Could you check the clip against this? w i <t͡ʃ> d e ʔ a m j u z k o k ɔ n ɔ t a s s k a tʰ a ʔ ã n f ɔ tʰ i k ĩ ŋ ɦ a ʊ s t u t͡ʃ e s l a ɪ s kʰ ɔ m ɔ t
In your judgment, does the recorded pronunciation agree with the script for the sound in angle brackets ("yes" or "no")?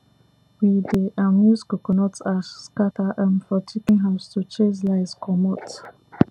no